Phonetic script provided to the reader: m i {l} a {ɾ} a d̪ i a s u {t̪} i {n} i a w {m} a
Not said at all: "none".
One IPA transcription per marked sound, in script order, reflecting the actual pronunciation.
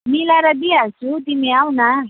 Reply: l, ɾ, t̪, m, n

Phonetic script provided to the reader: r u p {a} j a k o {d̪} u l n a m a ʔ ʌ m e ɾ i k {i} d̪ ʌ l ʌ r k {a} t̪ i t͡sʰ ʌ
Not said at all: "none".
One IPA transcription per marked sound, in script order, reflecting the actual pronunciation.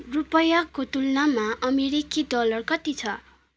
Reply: ʌ, t̪, i, ʌ

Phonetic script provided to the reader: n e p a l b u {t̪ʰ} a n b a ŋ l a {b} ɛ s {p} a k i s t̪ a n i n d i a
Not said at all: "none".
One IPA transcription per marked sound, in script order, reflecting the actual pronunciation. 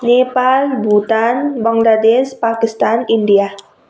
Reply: t̪, d, p

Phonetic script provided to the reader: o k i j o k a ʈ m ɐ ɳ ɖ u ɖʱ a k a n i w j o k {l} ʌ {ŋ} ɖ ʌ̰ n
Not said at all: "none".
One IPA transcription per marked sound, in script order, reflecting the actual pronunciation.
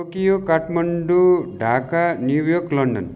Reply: l, ɳ

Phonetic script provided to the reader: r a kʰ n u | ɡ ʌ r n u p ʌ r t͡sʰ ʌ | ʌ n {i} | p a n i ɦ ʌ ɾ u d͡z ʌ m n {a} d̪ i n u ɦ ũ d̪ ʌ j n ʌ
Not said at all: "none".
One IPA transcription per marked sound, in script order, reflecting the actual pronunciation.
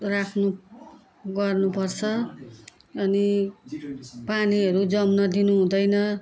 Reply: i, ʌ

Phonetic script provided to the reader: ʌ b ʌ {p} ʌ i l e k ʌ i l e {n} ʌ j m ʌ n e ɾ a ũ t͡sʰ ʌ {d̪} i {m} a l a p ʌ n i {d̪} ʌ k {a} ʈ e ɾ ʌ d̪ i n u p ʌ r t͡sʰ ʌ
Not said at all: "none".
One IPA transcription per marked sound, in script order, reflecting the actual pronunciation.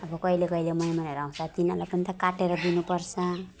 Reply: k, m, t̪, n, t̪, a

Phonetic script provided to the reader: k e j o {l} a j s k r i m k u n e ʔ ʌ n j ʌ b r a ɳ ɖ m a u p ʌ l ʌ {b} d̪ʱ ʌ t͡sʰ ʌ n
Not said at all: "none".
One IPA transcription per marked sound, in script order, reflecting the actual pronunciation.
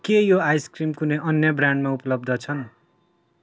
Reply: none, b

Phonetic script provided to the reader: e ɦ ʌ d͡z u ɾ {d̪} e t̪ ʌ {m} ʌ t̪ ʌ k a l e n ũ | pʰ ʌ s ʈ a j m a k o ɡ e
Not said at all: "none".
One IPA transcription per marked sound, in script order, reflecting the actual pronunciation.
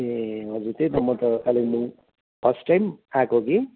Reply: t̪, m

